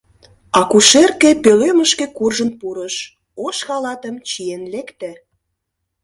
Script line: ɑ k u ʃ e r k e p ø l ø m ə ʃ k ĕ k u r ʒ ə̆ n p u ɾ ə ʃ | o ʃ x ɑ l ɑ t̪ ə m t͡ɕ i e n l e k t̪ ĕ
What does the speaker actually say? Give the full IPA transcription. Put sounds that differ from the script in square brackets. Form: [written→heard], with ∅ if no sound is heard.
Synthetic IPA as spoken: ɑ k u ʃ e r k e p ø l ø m ə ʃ k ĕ k u r ʒ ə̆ n p u ɾ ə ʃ | o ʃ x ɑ l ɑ t̪ ə m t͡ɕ i e n l e k t̪ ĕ